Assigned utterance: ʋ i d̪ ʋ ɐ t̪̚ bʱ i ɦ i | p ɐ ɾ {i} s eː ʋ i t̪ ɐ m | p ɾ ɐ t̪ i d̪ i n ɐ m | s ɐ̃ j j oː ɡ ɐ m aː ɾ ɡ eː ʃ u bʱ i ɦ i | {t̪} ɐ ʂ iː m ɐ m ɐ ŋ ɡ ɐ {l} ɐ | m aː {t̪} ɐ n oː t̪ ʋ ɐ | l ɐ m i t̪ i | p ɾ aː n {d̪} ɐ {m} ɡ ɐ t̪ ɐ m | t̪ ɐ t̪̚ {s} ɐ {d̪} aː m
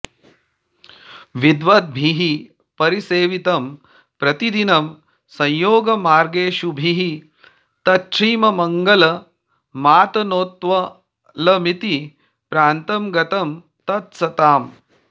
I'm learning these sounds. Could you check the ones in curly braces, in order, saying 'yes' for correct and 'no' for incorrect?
yes, yes, yes, yes, no, yes, yes, no

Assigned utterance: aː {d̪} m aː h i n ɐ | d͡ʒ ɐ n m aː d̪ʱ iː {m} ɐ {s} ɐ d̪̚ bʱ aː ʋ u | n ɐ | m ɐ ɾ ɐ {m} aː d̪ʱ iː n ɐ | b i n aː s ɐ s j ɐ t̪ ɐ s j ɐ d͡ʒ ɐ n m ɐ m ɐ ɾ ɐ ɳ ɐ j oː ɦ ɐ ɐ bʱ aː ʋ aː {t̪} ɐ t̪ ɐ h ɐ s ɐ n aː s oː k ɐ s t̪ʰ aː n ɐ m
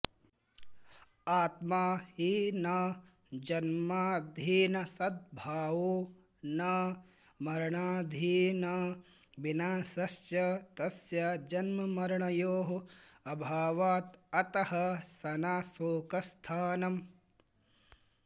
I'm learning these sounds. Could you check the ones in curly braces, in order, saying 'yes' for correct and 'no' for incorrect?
no, no, yes, no, yes

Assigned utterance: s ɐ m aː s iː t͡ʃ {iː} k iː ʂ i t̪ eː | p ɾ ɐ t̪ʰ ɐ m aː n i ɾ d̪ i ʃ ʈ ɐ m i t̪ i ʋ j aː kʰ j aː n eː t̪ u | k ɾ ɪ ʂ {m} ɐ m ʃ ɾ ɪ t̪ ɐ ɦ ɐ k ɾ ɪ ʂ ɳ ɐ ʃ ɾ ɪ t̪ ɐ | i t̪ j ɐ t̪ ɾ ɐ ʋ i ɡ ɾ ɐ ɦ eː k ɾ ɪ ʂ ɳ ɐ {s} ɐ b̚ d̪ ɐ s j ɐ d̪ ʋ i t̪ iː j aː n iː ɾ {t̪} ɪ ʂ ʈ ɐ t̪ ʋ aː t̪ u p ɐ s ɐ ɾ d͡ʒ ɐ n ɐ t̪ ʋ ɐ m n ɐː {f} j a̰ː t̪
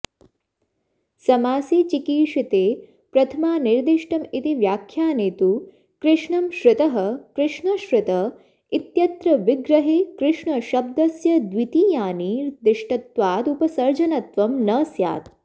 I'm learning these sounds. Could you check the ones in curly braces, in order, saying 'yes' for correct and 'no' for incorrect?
no, no, no, no, no

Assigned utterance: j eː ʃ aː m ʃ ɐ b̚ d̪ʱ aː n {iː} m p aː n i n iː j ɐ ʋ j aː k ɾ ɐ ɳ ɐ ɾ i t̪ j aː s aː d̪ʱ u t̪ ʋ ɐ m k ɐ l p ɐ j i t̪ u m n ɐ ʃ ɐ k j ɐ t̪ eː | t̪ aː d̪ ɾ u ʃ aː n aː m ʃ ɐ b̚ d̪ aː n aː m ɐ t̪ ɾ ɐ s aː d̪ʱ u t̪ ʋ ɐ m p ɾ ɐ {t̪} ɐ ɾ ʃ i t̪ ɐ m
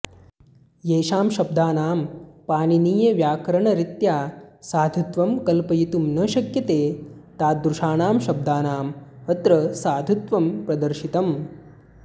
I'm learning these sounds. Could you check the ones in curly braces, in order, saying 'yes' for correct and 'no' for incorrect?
no, no

